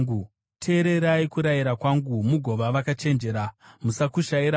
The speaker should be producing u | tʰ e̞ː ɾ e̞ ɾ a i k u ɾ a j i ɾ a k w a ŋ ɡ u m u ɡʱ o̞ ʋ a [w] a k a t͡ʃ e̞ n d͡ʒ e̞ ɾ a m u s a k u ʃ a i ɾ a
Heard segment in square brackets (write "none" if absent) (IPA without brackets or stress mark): ʋ